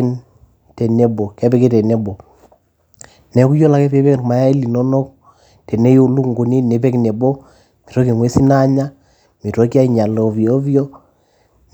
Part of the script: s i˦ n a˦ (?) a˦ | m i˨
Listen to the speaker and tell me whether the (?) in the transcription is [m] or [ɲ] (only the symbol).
ɲ